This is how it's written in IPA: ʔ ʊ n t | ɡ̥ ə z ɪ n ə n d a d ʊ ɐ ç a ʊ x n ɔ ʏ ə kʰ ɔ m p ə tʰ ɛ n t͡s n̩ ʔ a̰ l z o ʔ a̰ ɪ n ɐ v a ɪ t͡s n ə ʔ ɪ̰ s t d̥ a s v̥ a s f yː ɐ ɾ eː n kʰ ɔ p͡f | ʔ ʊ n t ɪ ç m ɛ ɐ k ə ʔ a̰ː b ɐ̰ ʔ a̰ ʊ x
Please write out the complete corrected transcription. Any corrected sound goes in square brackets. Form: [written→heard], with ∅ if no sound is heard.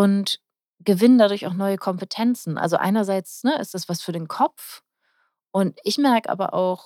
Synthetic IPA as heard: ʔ ʊ n t | ɡ̥ ə [z→v] ɪ n ə n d a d ʊ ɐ ç a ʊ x n ɔ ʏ ə kʰ ɔ m p ə tʰ ɛ n t͡s n̩ ʔ a̰ l z o ʔ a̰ ɪ n ɐ [v→z] a ɪ t͡s n ə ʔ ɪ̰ s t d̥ a s v̥ a s f yː ɐ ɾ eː n kʰ ɔ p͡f | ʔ ʊ n t ɪ ç m ɛ ɐ k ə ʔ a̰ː b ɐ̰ ʔ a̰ ʊ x